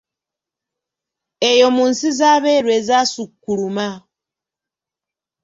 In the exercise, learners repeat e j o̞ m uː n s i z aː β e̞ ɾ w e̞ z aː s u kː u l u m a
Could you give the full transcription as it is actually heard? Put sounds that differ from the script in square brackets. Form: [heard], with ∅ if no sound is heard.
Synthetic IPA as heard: e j o̞ m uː n s i z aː β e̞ ɾ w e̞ z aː s u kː u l u m a